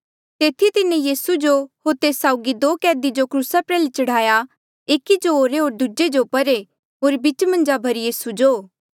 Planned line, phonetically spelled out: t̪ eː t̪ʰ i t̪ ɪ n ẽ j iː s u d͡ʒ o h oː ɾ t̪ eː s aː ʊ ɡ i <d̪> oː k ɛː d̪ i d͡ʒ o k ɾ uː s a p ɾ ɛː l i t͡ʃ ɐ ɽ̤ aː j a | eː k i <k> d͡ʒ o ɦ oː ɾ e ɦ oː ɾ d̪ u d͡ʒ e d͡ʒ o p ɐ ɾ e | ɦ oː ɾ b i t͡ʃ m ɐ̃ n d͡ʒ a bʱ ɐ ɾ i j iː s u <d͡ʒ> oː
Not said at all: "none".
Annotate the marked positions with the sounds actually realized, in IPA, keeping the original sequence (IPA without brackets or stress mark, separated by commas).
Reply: d̪, none, d͡ʒ